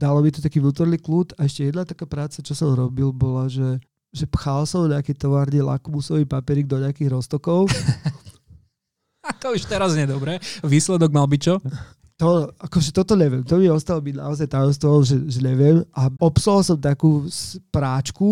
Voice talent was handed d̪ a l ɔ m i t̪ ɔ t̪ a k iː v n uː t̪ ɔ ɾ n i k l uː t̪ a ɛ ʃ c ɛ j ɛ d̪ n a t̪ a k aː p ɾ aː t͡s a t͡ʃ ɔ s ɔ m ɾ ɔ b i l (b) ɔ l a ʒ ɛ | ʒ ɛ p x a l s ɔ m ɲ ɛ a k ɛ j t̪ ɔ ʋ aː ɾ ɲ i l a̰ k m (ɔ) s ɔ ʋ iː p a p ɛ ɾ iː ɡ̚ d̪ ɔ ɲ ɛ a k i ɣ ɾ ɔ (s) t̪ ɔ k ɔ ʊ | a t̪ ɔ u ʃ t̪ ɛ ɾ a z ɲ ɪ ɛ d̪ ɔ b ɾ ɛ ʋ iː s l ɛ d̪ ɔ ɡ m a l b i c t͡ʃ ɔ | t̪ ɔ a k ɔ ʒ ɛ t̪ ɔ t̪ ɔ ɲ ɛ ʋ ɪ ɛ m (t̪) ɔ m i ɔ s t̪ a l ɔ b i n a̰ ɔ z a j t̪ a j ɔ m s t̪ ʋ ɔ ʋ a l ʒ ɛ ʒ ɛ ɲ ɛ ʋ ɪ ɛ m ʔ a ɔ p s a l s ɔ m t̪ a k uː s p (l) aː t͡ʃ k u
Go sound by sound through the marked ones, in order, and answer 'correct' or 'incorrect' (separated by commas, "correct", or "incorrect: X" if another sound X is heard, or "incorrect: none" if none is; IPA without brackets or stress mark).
correct, incorrect: u, correct, correct, incorrect: ɾ